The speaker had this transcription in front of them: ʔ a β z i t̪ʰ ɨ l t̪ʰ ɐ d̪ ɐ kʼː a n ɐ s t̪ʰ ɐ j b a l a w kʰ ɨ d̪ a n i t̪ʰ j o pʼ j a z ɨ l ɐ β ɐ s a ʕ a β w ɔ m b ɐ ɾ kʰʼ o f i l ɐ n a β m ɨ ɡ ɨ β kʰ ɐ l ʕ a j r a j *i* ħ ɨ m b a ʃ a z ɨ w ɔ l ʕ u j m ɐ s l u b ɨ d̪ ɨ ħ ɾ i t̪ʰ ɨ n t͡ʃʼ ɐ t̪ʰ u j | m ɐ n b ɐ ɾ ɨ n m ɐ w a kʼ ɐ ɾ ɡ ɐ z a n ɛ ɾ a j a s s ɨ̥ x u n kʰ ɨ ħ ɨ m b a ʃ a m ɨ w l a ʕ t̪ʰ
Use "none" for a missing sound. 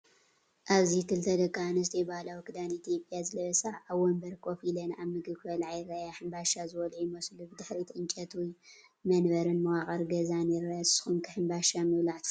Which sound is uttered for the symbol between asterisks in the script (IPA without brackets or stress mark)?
a